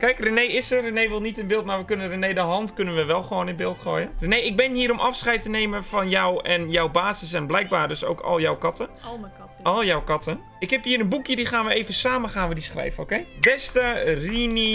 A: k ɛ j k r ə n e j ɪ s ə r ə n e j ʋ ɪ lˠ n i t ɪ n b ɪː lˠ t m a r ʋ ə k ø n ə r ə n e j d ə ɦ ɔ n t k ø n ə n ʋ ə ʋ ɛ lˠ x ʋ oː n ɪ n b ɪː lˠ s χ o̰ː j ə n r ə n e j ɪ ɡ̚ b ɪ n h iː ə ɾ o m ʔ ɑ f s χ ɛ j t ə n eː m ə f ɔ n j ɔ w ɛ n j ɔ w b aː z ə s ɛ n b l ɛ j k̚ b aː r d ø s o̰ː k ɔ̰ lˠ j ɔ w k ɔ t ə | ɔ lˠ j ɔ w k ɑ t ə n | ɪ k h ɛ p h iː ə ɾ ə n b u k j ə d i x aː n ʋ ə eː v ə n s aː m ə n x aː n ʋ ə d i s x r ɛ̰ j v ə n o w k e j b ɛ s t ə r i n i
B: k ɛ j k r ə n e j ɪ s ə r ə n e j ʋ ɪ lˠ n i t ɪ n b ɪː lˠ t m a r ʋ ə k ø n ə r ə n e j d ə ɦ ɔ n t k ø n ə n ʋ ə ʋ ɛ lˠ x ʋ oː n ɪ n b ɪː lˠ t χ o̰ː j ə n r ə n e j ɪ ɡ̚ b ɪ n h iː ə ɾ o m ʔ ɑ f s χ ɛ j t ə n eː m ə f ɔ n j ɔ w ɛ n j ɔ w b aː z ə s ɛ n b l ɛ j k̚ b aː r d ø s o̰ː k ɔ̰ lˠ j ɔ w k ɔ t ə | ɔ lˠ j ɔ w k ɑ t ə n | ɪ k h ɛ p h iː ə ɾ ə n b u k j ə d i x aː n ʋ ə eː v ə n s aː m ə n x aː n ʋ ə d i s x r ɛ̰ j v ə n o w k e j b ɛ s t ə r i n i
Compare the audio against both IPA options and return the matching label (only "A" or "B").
B